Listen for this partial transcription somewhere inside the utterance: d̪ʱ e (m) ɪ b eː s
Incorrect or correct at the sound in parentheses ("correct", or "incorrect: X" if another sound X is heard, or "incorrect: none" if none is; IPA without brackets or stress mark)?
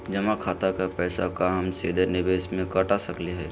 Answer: incorrect: n